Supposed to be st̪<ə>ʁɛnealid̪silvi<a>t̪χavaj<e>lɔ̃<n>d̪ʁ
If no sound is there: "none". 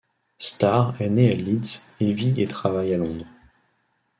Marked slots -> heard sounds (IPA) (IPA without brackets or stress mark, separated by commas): a, e, a, none